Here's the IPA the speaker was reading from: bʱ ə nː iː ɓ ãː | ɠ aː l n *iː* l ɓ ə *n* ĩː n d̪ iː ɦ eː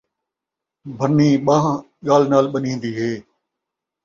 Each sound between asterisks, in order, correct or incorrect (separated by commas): incorrect, correct